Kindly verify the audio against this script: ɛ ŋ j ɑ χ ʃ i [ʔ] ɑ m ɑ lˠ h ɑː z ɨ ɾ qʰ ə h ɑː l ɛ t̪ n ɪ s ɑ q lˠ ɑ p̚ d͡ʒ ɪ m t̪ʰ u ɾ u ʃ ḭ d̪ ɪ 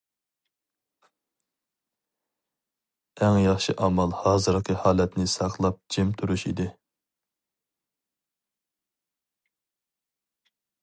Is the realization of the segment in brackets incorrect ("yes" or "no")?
no